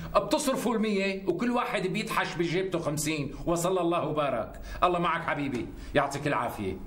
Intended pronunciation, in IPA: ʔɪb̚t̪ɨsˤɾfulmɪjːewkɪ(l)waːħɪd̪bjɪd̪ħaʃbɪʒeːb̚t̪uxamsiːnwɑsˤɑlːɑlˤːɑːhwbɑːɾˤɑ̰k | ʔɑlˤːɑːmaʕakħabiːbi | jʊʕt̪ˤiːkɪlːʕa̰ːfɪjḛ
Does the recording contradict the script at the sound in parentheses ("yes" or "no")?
yes